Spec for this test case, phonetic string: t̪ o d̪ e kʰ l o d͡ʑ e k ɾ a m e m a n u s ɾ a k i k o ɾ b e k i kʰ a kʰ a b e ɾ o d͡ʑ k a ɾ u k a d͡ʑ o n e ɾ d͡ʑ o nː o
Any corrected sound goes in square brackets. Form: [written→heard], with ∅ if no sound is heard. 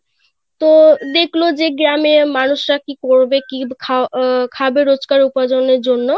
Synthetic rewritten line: t̪ o d̪ e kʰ l o d͡ʑ e [k→ɡ] ɾ a m e m a n u [s→ʃ] ɾ a k i k o ɾ b e k i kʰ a kʰ a b e ɾ o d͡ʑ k a ɾ u [k→p] a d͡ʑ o n e ɾ d͡ʑ o nː o